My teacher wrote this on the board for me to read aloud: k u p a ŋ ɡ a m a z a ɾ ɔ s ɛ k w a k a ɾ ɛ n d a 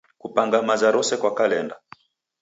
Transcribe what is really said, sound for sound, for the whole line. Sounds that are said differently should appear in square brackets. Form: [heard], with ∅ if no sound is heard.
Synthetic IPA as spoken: k u p a ŋ ɡ a m a z a ɾ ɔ s ɛ k w a k a [l] ɛ n d a